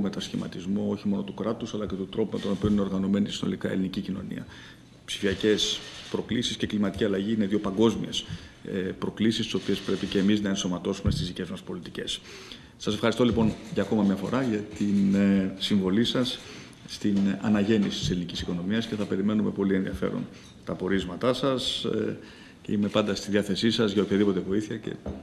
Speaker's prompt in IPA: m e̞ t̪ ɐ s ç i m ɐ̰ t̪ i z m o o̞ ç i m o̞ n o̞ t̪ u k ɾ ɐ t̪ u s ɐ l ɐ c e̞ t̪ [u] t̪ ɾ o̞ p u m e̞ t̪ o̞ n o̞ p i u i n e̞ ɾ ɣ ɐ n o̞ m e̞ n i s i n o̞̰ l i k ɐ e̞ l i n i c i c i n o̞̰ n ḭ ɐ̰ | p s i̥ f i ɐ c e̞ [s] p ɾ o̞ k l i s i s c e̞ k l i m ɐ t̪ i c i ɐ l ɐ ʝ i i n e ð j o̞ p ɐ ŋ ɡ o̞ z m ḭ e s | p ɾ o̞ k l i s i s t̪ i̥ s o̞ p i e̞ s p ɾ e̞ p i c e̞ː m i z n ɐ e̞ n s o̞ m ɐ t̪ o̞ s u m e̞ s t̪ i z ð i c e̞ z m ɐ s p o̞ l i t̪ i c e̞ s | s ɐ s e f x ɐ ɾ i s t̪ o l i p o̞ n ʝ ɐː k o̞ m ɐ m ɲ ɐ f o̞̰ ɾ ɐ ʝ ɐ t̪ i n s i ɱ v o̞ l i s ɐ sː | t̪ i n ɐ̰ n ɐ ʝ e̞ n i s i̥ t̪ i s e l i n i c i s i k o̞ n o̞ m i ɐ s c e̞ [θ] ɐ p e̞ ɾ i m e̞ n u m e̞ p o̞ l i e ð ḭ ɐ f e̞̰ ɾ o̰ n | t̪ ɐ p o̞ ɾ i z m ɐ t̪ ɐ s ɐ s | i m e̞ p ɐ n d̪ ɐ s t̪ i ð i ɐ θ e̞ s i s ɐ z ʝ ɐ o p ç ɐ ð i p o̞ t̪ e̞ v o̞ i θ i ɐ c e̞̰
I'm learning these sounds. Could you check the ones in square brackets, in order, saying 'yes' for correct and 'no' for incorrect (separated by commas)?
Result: yes, yes, yes